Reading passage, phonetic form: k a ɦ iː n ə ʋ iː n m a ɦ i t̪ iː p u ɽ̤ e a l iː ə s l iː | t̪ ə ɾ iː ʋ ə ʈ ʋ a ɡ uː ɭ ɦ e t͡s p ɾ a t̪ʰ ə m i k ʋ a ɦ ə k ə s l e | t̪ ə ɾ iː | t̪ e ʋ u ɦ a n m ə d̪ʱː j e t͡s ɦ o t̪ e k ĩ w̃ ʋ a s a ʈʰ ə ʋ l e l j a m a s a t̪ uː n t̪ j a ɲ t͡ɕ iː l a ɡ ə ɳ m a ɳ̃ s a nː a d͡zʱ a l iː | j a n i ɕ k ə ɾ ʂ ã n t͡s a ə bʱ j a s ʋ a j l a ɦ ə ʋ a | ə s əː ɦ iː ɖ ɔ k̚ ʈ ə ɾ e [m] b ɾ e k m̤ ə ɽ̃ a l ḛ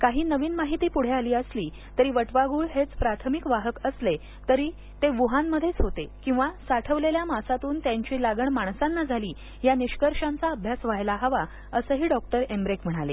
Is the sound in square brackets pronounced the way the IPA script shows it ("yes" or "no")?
yes